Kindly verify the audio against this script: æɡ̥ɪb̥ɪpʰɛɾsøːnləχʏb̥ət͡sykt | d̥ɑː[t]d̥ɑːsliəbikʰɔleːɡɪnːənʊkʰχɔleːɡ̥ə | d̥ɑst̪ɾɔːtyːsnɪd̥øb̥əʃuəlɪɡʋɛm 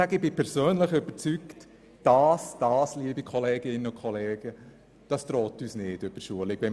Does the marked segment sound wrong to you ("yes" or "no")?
yes